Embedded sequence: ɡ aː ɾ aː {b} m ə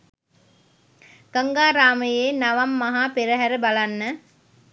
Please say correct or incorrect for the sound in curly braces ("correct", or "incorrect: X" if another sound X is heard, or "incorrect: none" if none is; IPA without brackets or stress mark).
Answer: incorrect: none